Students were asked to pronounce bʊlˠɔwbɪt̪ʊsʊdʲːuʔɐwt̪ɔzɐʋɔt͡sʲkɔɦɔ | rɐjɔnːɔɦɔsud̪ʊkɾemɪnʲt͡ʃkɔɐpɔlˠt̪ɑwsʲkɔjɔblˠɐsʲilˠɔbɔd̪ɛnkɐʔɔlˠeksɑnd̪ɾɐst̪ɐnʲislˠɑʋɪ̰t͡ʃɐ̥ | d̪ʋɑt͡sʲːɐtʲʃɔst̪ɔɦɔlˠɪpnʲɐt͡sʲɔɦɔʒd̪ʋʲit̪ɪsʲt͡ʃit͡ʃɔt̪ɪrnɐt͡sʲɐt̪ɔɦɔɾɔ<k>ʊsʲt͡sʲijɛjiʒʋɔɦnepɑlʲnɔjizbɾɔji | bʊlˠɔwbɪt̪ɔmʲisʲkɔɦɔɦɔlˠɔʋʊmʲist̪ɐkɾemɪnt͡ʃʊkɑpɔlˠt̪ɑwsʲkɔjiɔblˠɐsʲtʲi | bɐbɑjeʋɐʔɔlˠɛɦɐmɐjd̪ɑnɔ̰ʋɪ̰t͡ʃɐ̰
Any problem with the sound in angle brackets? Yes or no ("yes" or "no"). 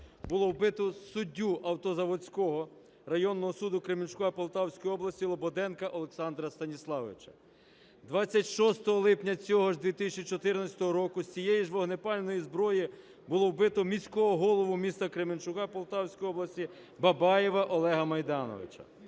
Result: no